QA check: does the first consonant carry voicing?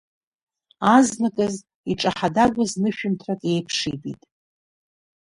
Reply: yes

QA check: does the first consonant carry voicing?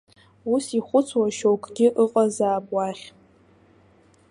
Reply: no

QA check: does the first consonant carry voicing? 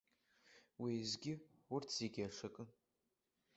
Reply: yes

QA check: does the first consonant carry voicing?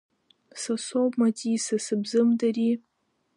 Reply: no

